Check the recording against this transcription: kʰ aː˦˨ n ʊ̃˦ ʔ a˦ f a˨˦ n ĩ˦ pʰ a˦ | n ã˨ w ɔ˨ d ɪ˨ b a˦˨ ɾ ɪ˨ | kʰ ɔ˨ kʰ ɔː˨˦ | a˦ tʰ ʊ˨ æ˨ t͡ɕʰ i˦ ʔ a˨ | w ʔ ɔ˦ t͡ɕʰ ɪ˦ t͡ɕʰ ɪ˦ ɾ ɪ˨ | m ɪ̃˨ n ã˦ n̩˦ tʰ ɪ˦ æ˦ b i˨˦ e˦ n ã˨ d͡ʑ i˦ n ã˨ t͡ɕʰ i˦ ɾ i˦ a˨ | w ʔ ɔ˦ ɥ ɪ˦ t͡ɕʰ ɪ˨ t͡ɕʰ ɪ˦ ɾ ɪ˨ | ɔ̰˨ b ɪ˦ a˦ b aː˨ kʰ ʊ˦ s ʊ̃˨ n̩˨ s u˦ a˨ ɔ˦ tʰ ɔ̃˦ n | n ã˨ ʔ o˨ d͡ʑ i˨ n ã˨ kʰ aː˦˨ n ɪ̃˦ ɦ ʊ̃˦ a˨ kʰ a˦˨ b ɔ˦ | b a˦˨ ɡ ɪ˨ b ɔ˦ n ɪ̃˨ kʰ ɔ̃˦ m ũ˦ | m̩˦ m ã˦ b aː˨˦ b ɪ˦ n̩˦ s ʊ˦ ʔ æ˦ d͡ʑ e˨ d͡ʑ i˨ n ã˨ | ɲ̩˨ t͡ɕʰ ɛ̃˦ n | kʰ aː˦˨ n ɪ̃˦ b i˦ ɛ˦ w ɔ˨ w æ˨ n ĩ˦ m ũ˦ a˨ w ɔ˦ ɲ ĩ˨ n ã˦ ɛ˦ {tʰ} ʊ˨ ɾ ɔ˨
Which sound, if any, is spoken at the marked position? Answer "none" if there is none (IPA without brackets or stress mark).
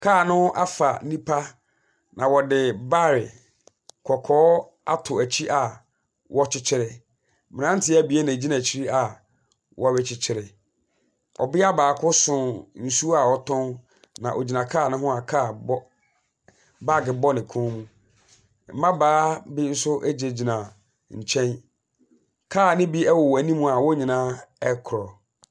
kʰ